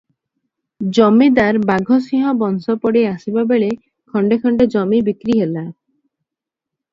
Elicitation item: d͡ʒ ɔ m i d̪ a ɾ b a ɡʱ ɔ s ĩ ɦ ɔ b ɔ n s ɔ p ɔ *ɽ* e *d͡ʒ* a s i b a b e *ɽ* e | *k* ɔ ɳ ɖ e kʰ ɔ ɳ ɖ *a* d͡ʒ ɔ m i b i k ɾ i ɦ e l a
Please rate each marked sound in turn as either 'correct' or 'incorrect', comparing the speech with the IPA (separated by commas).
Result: correct, incorrect, incorrect, incorrect, incorrect